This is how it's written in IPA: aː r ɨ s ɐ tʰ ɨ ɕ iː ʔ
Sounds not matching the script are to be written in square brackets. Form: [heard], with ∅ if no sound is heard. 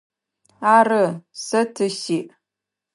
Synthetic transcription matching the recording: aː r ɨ s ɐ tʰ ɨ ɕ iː ʔ